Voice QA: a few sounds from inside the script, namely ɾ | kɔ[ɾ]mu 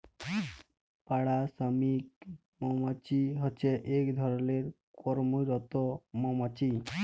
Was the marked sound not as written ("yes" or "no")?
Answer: no